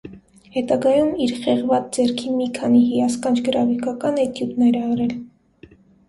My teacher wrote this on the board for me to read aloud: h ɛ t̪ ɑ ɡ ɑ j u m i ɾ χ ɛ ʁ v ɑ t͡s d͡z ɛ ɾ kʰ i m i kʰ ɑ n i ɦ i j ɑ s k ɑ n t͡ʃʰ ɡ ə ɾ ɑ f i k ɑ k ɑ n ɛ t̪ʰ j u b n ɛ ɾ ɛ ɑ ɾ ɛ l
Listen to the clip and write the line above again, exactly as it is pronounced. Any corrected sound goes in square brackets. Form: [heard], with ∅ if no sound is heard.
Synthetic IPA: h ɛ t̪ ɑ ɡ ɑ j u m i ɾ χ ɛ ʁ v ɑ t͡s d͡z ɛ ɾ kʰ i m i kʰ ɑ n i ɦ i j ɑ s k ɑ n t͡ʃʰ ɡ ə ɾ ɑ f i k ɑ k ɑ n ɛ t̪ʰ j u b n ɛ ɾ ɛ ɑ ɾ ɛ l